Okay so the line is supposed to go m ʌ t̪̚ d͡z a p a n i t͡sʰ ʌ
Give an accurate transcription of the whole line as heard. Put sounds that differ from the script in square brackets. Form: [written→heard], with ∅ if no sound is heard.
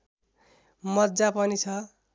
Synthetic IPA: m ʌ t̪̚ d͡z a p [a→ʌ] n i t͡sʰ ʌ